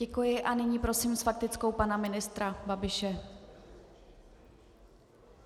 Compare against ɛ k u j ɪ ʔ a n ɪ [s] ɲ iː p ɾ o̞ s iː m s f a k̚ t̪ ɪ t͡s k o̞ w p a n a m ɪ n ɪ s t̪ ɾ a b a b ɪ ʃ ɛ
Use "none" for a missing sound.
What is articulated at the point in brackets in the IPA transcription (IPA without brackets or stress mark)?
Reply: none